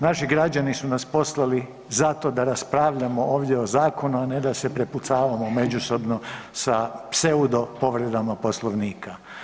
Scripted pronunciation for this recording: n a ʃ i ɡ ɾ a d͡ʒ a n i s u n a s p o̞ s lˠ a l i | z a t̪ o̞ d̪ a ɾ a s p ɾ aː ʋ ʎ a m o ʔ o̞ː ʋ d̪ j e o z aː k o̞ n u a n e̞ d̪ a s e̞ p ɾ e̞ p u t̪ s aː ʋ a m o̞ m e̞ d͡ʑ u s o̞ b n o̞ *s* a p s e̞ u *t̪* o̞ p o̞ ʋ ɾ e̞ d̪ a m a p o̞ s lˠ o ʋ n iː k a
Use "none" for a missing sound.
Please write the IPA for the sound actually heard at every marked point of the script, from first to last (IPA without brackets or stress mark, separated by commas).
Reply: s, d̪